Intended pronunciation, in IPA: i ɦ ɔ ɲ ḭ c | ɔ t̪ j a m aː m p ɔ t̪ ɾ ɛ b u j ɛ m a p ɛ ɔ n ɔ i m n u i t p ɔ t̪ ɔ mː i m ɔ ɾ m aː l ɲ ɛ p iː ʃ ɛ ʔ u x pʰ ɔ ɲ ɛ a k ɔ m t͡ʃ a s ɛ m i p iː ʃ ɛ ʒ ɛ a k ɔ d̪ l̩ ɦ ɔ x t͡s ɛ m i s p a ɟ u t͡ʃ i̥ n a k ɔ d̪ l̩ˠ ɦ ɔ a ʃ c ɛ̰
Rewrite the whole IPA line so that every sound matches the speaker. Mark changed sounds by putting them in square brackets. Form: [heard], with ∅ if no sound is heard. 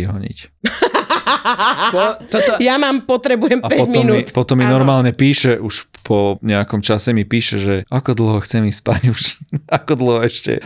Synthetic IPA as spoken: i ɦ ɔ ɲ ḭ c | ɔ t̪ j a m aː m p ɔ t̪ ɾ ɛ b u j ɛ m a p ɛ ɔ [m] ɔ i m n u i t p ɔ t̪ ɔ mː i [n] ɔ ɾ m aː l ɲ ɛ p iː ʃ ɛ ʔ u [ʃ] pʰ ɔ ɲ ɛ a k ɔ m t͡ʃ a s ɛ m i p iː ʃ ɛ ʒ ɛ a k ɔ d̪ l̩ ɦ ɔ x t͡s ɛ m i s p a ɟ u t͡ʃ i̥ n a k ɔ d̪ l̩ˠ ɦ ɔ [ɛ] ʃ c ɛ̰